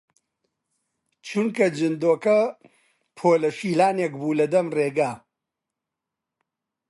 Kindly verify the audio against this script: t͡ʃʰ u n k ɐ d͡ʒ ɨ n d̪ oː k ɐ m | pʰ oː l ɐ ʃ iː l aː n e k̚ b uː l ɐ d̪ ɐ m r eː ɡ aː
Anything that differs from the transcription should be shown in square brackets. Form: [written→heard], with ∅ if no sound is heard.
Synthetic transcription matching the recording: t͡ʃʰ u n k ɐ d͡ʒ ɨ n d̪ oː k ɐ [m→∅] | pʰ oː l ɐ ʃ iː l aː n e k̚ b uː l ɐ d̪ ɐ m r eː ɡ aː